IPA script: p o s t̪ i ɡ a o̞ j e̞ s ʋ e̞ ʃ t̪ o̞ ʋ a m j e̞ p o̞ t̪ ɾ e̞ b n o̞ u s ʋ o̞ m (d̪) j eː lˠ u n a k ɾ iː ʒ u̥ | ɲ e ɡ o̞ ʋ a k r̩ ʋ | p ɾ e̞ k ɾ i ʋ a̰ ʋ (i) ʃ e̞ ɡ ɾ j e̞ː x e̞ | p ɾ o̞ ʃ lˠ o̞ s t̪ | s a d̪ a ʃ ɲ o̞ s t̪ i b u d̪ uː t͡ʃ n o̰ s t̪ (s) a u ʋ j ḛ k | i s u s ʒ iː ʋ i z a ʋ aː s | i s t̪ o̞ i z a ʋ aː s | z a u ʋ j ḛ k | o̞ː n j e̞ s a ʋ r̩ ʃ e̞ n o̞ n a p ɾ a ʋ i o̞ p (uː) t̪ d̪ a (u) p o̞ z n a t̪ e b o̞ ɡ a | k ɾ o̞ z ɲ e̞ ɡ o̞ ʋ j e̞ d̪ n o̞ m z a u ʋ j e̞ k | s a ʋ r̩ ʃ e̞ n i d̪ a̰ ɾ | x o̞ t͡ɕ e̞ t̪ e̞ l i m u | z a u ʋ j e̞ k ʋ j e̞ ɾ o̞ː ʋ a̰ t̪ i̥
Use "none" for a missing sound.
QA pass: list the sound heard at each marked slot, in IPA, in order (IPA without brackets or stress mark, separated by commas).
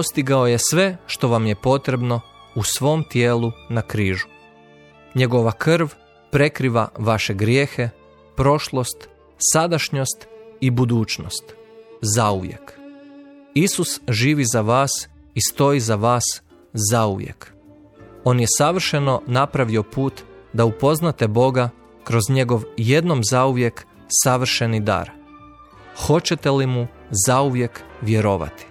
t̪, a, z, uː, u